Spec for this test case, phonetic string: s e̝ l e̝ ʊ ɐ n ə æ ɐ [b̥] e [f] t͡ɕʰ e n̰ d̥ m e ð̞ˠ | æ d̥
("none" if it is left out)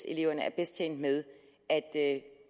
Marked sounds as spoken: b̥, s

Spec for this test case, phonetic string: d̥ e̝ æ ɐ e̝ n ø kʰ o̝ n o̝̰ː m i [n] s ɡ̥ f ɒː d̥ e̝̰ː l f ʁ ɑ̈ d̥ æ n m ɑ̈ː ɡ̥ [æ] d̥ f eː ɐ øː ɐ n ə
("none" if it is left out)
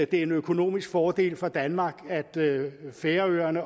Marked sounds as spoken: none, æ

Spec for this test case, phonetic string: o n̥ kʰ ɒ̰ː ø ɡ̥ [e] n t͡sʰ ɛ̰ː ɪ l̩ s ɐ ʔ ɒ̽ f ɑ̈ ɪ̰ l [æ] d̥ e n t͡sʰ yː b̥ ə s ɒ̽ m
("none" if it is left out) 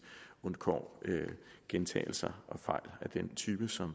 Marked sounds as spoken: e, æ

